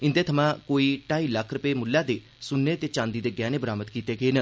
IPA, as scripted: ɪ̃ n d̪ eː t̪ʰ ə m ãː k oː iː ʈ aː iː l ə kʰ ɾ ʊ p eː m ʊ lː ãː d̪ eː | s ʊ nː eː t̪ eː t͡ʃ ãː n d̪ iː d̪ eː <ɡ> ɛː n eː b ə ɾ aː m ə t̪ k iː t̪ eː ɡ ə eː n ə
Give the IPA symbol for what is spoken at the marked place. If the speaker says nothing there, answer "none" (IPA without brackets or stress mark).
ɡ